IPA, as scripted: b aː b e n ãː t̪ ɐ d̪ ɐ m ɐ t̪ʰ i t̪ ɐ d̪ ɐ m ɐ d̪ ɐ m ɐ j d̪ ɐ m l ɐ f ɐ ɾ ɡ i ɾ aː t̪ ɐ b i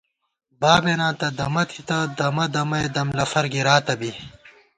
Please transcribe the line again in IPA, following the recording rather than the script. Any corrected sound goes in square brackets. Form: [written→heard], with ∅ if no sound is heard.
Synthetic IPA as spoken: b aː b e n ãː t̪ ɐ d̪ ɐ m ɐ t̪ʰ i t̪ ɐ d̪ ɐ m ɐ d̪ ɐ m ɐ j d̪ ɐ m l ɐ f ɐ ɾ ɡ i ɾ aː t̪ ɐ b i